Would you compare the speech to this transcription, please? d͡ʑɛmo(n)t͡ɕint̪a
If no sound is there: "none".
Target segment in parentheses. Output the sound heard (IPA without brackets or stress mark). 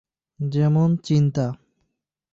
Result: n